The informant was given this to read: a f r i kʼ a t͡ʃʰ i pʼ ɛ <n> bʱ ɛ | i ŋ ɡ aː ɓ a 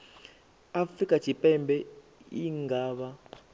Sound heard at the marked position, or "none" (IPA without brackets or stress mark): m